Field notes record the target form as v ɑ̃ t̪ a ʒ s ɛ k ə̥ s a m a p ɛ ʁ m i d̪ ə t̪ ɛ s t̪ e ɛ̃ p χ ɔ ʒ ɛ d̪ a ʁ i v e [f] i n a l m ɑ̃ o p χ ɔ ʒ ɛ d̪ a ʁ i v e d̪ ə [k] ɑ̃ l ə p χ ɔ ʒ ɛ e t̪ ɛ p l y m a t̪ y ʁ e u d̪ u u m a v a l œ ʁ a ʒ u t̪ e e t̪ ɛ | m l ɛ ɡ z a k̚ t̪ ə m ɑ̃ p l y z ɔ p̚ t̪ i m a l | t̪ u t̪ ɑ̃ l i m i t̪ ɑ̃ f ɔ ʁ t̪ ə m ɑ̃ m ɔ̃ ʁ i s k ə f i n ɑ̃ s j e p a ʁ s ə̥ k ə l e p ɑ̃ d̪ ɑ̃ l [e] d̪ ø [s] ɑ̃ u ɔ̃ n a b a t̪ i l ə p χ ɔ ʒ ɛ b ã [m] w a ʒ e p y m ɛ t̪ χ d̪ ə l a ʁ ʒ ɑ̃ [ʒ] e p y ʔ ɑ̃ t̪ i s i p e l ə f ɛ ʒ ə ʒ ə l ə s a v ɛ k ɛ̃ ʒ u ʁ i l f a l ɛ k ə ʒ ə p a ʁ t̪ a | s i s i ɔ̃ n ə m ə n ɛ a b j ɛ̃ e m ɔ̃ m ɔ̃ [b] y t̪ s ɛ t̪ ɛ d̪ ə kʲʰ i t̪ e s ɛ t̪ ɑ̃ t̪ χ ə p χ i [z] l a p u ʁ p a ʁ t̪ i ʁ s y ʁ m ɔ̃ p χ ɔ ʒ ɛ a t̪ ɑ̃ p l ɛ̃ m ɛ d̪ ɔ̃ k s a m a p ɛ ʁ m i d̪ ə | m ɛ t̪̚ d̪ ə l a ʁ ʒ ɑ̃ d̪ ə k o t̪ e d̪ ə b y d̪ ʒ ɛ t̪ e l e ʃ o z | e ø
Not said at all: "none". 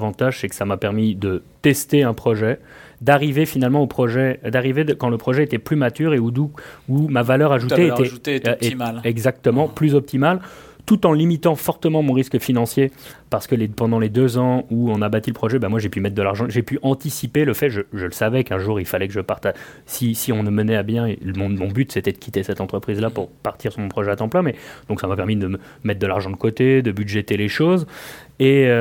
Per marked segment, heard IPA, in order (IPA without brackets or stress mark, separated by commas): f, k, e, z, m, ʒ, b, z